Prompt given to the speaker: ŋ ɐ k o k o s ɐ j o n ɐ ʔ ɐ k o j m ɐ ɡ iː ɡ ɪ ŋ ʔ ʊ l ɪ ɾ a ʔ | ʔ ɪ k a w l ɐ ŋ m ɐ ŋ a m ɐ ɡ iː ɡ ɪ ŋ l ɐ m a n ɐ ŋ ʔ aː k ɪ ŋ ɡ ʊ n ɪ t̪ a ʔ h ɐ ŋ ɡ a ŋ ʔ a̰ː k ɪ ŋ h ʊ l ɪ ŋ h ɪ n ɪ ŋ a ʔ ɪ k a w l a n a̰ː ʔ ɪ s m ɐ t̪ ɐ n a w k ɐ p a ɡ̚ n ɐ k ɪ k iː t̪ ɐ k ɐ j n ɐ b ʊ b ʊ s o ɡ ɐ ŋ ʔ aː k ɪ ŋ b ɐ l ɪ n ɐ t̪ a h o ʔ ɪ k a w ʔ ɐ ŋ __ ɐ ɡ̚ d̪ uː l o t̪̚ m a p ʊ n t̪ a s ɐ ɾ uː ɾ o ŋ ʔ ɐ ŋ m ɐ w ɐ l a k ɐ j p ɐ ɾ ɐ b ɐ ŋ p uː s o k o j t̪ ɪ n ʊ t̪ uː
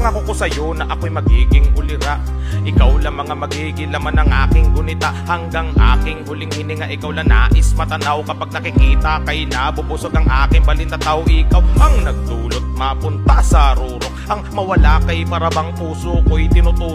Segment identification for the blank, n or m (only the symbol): n